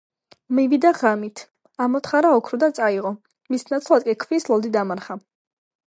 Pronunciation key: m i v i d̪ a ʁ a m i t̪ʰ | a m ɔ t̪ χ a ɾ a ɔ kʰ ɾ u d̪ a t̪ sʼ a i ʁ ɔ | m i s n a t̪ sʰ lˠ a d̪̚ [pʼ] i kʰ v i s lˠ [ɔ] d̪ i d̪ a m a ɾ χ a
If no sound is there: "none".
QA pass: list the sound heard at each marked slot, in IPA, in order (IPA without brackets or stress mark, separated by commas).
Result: kʼ, ɔ